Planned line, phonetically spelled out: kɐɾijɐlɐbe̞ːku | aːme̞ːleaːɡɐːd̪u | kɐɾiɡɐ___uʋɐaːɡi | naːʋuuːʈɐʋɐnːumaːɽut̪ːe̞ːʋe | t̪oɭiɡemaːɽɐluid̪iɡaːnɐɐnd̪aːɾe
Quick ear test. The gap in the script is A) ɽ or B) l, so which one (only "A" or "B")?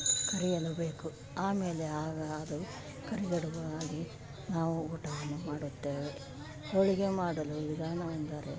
A